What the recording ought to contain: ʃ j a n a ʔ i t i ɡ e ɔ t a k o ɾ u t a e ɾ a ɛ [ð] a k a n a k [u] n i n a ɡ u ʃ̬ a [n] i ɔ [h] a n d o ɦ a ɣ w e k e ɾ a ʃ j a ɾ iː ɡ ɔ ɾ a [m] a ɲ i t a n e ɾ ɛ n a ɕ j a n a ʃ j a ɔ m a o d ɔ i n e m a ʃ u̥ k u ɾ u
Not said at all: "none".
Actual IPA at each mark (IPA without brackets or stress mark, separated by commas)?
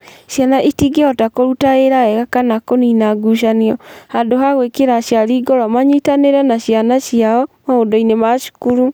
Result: ɣ, o, n, h, m